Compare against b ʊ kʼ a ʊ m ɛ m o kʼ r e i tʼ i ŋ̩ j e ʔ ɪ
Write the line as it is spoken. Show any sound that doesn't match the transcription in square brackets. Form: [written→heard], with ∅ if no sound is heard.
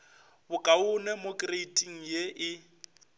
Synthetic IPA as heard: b ʊ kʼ a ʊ [m→n] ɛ m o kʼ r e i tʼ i ŋ̩ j e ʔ ɪ